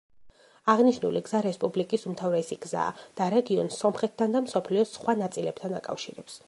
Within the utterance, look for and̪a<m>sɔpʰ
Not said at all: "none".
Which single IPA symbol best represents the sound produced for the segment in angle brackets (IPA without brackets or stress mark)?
m